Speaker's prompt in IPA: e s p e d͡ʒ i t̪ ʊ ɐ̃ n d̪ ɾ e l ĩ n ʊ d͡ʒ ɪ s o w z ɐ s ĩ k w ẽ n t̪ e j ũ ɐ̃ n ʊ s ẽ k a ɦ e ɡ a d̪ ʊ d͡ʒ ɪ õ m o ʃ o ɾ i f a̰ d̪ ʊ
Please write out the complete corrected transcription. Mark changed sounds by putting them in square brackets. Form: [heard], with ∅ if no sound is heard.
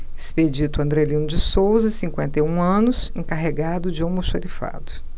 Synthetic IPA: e s p e d͡ʒ i t̪ ʊ ɐ̃ n d̪ ɾ e l ĩ n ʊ d͡ʒ ɪ s o w z ɐ s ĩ k w ẽ n t̪ e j ũ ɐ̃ n ʊ s ẽ k a ɦ e ɡ a d̪ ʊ d͡ʒ ɪ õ m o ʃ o ɾ i f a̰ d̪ ʊ

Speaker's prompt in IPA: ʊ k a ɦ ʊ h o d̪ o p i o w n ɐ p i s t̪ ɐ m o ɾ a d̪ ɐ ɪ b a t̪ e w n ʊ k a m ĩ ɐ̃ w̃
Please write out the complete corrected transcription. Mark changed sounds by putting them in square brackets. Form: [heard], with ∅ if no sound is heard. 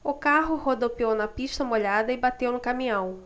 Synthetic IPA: ʊ k a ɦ ʊ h o d̪ o p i o w n ɐ p i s t̪ ɐ m o [ʎ] a d̪ ɐ ɪ b a t̪ e w n ʊ k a m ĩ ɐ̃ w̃

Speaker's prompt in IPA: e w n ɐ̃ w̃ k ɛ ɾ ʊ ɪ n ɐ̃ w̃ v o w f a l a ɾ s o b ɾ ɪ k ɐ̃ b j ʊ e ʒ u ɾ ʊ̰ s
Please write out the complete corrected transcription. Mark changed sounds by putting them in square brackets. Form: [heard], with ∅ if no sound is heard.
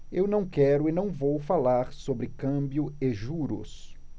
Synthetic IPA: e w n ɐ̃ w̃ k ɛ ɾ ʊ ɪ n ɐ̃ w̃ v o w f a l a ɾ s o b ɾ ɪ k ɐ̃ b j ʊ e ʒ u ɾ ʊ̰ s

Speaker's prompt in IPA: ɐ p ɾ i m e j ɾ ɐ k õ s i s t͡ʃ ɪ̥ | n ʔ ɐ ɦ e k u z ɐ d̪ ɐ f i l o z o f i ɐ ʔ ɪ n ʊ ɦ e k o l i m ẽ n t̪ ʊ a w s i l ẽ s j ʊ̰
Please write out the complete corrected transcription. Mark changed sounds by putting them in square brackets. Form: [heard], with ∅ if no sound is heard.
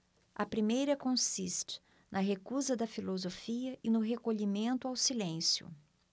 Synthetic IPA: ɐ p ɾ i m e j ɾ ɐ k õ s i s t͡ʃ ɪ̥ | n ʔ ɐ ɦ e k u z ɐ d̪ ɐ f i l o z o f i ɐ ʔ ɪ n ʊ ɦ e k o [ʎ] i m ẽ n t̪ ʊ a w s i l ẽ s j ʊ̰

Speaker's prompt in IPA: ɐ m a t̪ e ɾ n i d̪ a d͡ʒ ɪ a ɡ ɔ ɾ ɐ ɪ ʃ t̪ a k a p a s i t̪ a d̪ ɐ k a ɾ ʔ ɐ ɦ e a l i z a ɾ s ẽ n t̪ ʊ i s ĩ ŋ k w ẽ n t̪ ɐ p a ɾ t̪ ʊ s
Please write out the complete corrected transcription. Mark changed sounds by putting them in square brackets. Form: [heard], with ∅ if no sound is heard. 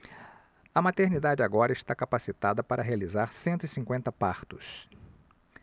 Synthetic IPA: ɐ m a t̪ e ɾ n i d̪ a d͡ʒ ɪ a ɡ ɔ ɾ ɐ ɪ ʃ t̪ a k a p a s i t̪ a d̪ ɐ [p] a ɾ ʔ ɐ ɦ e a l i z a ɾ s ẽ n t̪ ʊ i s ĩ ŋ k w ẽ n t̪ ɐ p a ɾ t̪ ʊ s

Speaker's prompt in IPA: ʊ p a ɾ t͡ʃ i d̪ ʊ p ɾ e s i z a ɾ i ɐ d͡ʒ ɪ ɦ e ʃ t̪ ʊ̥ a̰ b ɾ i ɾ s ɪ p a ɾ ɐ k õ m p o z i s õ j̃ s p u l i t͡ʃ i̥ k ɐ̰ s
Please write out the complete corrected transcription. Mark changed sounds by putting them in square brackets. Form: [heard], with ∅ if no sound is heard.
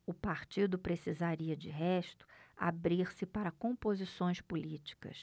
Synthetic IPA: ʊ p a ɾ t͡ʃ i d̪ ʊ p ɾ e s i z a ɾ i ɐ d͡ʒ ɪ ɦ [ɛ] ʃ t̪ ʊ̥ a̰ b ɾ i ɾ s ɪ p a ɾ ɐ k õ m p o z i s õ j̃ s p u l i t͡ʃ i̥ k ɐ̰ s

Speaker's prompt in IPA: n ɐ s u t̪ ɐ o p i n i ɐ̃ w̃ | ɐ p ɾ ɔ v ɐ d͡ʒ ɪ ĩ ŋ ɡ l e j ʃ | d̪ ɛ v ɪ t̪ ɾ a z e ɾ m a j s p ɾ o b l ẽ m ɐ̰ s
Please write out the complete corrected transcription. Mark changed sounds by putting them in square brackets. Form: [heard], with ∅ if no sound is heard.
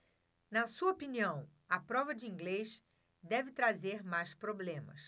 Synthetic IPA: n ɐ s u [∅] ɐ o p i n i ɐ̃ w̃ | ɐ p ɾ ɔ v ɐ d͡ʒ ɪ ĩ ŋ ɡ l e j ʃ | d̪ ɛ v ɪ t̪ ɾ a z e ɾ m a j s p ɾ o b l ẽ m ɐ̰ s

